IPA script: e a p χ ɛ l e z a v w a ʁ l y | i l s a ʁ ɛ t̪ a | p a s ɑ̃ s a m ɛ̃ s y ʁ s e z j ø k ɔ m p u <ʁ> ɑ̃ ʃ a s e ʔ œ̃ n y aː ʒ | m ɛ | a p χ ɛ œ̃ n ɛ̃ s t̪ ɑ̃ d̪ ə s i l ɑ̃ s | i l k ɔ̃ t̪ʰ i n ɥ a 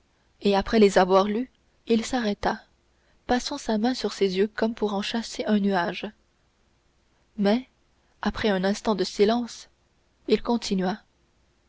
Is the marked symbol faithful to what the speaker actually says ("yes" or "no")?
yes